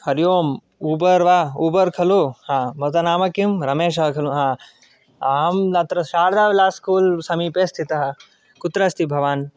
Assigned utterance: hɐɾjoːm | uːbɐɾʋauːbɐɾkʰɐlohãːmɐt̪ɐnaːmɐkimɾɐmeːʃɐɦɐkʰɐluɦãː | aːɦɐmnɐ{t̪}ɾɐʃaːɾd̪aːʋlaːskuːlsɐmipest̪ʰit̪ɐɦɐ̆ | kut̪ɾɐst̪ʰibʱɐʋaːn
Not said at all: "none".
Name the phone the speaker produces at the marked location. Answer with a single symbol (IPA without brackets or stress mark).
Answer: t̪